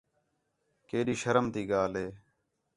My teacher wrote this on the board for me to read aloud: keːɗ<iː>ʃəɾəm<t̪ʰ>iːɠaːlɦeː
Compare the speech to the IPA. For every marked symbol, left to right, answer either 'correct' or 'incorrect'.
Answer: correct, incorrect

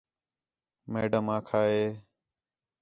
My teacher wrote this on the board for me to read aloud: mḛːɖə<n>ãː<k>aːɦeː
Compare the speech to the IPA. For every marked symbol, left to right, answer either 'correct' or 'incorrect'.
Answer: incorrect, incorrect

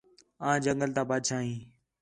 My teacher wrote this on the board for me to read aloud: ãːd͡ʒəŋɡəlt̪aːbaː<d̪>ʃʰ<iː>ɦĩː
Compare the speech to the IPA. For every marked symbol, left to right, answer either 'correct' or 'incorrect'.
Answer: correct, incorrect

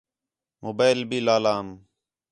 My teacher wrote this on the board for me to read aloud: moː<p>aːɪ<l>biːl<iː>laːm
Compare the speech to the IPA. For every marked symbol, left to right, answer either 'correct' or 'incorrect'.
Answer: incorrect, correct, incorrect

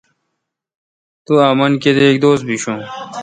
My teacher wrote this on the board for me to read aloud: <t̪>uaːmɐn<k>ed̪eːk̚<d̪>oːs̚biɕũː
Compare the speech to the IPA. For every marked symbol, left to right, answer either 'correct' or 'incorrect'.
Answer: correct, correct, correct

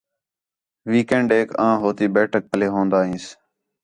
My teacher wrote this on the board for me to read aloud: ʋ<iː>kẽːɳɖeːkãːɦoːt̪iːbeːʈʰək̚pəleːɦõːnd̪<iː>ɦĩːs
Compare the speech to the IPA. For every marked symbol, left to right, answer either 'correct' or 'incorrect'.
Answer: correct, incorrect

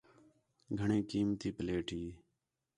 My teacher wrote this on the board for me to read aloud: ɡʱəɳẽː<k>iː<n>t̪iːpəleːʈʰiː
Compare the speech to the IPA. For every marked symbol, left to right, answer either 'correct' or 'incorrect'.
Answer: correct, incorrect

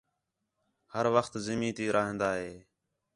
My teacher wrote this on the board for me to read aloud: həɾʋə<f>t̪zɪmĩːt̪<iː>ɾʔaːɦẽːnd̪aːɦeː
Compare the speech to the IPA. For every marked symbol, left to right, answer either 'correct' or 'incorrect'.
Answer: incorrect, correct

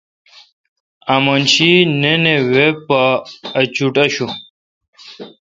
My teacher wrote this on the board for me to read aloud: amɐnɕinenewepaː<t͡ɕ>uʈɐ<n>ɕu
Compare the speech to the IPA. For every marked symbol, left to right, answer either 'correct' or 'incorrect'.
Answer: correct, incorrect

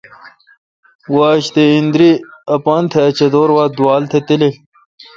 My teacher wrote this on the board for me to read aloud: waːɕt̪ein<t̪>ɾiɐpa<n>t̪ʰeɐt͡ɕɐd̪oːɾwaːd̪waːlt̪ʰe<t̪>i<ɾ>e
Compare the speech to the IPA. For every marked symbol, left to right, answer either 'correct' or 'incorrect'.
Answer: incorrect, correct, correct, incorrect

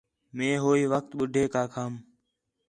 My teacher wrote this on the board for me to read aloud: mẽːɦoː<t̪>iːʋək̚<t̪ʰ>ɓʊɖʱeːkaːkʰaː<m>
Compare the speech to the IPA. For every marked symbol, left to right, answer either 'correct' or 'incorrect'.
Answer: incorrect, incorrect, correct

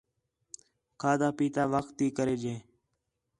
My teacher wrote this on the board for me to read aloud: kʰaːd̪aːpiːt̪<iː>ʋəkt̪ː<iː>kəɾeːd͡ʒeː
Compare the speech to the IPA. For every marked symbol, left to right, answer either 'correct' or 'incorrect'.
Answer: incorrect, correct

